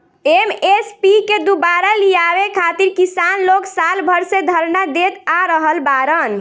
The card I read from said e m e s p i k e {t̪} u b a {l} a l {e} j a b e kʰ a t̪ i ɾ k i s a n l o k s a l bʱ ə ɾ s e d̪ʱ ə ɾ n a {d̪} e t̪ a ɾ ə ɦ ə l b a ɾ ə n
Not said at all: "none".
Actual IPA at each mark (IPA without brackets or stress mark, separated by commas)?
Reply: d̪, ɾ, i, d̪